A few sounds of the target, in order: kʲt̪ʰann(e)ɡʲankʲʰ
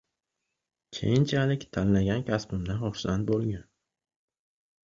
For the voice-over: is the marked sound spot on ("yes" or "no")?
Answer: no